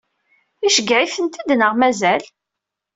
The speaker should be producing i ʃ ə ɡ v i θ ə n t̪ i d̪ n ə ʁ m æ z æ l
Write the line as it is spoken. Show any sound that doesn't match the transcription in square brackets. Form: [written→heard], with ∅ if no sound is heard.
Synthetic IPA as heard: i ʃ ə ɡ [v→ʕ] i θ ə n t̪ i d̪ n ə ʁ m æ z æ l